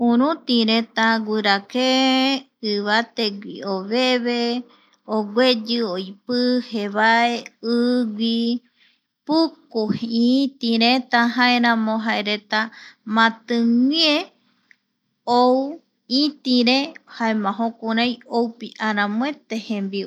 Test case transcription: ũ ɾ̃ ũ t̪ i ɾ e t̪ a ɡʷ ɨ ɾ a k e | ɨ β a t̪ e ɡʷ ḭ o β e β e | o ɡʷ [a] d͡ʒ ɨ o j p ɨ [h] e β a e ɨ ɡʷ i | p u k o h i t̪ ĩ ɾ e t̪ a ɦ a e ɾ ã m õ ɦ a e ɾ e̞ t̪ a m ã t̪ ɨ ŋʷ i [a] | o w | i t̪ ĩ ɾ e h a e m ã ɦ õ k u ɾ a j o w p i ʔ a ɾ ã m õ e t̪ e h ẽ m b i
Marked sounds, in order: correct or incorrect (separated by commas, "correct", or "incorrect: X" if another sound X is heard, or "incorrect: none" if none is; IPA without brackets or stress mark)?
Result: incorrect: e, correct, incorrect: e